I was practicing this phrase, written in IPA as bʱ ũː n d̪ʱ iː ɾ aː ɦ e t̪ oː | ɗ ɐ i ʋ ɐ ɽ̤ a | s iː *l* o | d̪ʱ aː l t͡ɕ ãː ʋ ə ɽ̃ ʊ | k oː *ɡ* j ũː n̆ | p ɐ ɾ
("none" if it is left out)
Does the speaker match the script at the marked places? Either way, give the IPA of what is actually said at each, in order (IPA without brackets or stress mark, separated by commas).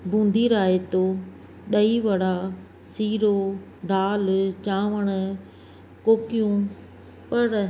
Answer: ɾ, k